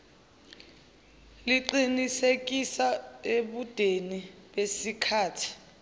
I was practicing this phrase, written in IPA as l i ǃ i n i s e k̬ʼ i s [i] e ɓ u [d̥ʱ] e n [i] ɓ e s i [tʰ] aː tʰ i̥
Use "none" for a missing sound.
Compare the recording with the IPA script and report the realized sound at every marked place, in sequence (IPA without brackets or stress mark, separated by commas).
a, d̥ʱ, i, kʰ